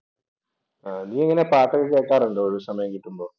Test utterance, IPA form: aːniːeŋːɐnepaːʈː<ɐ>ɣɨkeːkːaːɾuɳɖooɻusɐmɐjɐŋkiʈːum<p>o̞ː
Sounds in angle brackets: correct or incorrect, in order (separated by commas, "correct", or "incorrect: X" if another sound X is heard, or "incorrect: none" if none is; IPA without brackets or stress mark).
correct, incorrect: b